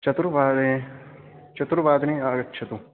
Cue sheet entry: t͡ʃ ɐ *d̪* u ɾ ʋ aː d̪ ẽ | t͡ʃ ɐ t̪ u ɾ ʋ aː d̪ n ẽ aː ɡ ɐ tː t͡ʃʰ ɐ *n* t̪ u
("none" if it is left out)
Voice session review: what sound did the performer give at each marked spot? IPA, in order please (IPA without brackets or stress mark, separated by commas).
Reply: t̪, none